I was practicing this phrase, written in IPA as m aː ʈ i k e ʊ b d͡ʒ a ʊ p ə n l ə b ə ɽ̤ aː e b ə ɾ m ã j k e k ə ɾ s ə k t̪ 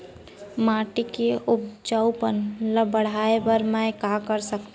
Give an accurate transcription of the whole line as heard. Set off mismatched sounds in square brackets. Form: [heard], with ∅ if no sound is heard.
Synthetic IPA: m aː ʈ i k e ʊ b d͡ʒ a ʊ p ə n l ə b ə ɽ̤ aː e b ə ɾ m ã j k [a] k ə ɾ s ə k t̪